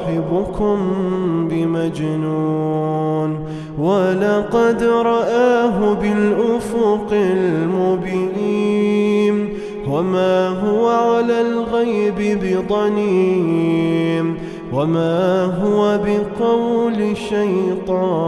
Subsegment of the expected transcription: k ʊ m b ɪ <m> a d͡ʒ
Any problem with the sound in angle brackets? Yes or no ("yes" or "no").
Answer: no